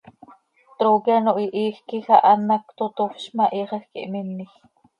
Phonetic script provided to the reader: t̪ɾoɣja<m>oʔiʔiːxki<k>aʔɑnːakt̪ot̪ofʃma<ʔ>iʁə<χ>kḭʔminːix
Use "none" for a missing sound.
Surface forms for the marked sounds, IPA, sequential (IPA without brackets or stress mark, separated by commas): n, x, ʔ, x